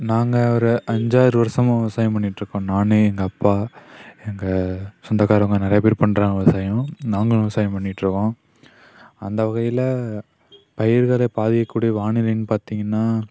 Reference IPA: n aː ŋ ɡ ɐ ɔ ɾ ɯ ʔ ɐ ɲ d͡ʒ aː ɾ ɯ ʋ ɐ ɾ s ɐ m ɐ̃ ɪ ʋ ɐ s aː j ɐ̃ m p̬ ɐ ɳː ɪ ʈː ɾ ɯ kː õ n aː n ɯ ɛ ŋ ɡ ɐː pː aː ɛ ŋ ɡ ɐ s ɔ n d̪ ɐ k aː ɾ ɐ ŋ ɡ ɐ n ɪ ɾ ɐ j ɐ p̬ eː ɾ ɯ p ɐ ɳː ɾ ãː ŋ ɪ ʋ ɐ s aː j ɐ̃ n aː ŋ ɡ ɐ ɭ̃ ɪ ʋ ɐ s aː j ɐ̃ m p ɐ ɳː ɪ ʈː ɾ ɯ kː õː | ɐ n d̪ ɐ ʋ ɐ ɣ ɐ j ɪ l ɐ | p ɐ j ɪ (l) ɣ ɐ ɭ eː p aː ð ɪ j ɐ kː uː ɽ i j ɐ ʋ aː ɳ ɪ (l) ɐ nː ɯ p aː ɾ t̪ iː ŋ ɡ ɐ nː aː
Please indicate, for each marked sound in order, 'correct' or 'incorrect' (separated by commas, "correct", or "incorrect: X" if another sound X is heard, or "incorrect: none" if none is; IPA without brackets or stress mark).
incorrect: ɾ, correct